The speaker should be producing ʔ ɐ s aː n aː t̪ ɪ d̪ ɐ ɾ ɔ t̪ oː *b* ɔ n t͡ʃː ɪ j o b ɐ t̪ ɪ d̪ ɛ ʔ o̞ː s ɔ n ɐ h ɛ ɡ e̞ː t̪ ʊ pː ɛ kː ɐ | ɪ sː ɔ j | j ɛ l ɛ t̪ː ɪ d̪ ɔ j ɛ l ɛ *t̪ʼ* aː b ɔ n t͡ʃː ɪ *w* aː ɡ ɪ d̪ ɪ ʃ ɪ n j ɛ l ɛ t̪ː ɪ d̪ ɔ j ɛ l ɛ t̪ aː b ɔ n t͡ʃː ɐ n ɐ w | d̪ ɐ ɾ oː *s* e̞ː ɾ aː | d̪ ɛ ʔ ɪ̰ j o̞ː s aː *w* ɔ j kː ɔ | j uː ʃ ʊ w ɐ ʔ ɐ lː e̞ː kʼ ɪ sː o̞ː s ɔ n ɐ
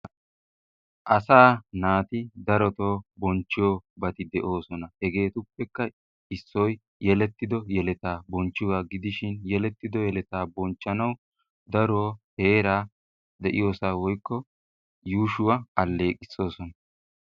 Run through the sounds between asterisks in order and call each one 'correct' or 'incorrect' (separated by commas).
correct, incorrect, correct, incorrect, correct